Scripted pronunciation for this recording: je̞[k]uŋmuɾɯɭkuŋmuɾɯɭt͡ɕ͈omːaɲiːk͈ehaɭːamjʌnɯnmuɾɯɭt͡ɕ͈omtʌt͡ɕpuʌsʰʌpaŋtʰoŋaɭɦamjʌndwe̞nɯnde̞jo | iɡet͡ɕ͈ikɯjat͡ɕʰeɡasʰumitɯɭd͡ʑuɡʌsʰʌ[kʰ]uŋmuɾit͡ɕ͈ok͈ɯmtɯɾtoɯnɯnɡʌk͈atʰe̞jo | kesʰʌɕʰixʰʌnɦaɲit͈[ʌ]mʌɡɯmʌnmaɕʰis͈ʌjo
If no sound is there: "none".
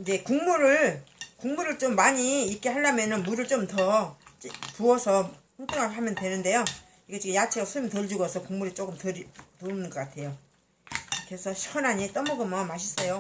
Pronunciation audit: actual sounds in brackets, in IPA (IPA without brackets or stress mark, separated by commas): k, k, ʌ